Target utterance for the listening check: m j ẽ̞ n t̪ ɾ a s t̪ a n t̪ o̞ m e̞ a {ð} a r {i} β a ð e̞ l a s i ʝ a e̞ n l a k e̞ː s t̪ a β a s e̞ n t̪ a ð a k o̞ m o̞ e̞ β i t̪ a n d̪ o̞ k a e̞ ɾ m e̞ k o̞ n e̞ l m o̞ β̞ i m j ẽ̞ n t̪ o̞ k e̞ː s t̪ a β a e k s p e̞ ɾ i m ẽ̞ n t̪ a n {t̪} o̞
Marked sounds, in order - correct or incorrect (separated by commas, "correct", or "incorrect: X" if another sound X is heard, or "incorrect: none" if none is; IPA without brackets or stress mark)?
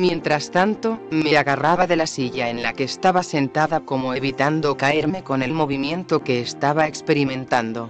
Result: incorrect: ɣ, incorrect: a, incorrect: d̪